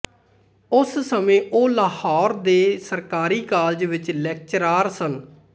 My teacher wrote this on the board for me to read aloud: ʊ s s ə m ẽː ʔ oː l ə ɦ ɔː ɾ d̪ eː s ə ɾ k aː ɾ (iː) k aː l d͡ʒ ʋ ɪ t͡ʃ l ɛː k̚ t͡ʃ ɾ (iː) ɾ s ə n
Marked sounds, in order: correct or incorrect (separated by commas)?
correct, incorrect